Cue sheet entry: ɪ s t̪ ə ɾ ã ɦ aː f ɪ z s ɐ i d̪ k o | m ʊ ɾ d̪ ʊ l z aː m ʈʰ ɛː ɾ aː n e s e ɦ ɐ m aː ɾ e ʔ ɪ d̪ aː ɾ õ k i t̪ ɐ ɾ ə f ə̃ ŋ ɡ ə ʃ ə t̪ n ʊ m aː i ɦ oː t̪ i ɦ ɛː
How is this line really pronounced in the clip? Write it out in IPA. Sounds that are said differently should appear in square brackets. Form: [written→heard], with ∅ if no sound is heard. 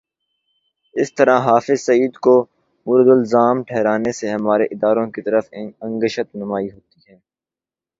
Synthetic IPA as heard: ɪ s t̪ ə ɾ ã ɦ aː f ɪ z s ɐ [i→iː] d̪ k o | m ʊ ɾ d̪ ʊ l z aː m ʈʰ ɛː ɾ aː n e s e ɦ ɐ m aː ɾ e ʔ ɪ d̪ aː ɾ õ k i t̪ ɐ ɾ ə f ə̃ ŋ ɡ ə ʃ ə t̪ n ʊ m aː i ɦ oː t̪ i ɦ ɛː